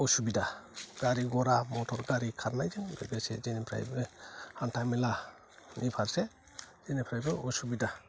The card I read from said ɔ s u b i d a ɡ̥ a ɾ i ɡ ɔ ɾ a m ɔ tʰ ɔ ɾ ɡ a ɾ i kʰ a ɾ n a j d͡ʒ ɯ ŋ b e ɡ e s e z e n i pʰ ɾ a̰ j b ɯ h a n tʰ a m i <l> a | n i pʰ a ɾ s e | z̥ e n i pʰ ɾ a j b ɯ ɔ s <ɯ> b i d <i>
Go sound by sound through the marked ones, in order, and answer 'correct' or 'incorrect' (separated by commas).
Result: correct, incorrect, incorrect